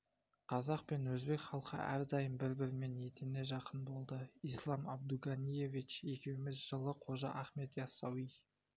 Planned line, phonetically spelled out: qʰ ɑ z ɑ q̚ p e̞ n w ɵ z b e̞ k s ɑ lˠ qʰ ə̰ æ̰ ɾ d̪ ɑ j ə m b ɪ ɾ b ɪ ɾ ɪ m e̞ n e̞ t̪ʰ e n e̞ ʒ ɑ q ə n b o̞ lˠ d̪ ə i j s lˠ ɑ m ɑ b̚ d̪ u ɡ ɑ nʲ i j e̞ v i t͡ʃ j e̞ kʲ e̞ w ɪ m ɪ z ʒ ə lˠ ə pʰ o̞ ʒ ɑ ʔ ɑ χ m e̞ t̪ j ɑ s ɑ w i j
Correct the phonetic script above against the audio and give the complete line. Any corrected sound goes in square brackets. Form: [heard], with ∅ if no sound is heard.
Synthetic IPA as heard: qʰ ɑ z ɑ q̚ p e̞ n w ɵ z b e̞ k [χ] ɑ lˠ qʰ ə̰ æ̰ ɾ d̪ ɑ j ə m b ɪ ɾ b ɪ ɾ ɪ m e̞ n e̞ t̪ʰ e n e̞ ʒ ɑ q ə n b o̞ lˠ d̪ ə i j s lˠ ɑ m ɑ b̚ d̪ u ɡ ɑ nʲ i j e̞ v i t͡ʃ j e̞ kʲ e̞ w ɪ m ɪ z ʒ ə lˠ ə [qʰ] o̞ ʒ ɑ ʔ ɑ χ m e̞ t̪ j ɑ s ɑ w i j